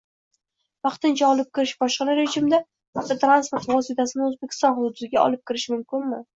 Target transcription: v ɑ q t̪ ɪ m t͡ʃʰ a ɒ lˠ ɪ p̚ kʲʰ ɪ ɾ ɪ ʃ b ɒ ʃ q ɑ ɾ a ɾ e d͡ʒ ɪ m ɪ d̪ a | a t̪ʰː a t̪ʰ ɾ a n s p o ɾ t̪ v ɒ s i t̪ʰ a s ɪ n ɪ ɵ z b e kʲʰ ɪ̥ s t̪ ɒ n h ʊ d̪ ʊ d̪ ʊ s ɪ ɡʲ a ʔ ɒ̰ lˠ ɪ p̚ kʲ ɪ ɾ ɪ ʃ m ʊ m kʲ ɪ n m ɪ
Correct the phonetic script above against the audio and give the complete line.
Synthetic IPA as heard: v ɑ q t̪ ɪ n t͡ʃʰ a ɒ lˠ ɪ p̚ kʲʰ ɪ ɾ ɪ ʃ b ɒ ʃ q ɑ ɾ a ɾ e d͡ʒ ɪ m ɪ d̪ a | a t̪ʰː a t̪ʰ ɾ a n s p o ɾ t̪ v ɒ s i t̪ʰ a s ɪ n ɪ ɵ z b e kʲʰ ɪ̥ s t̪ ɒ n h ʊ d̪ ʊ d̪ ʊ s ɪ ɡʲ a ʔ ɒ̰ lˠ ɪ p̚ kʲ ɪ ɾ ɪ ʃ m ʊ m kʲ ɪ n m ɪ